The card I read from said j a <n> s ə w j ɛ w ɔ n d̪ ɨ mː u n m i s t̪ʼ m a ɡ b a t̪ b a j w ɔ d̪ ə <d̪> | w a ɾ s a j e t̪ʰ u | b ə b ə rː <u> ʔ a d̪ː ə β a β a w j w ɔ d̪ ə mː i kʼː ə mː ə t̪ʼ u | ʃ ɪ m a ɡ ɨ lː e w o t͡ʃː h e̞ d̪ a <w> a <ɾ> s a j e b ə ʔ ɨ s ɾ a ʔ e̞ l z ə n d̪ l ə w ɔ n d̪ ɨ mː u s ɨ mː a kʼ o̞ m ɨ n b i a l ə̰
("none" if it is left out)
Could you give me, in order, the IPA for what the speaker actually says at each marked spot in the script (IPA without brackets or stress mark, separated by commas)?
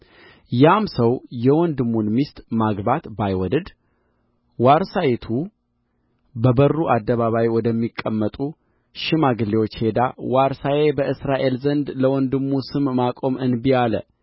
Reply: m, d̪, u, w, ɾ